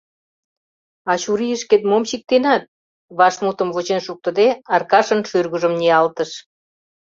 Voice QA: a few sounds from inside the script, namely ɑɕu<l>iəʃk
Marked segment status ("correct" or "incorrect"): incorrect